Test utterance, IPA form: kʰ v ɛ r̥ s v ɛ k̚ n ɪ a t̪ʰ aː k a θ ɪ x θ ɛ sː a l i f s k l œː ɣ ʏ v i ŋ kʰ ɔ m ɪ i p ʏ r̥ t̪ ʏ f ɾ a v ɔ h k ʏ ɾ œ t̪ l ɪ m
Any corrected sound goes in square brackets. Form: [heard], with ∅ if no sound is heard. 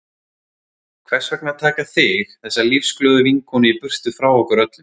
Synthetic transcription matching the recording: kʰ v ɛ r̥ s v ɛ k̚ n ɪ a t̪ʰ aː k a θ ɪ x θ ɛ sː a l i f s k l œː [ð] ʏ v i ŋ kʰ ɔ [n] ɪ i p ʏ r̥ t̪ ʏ f ɾ a [w] ɔ h k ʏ ɾ œ t̪ l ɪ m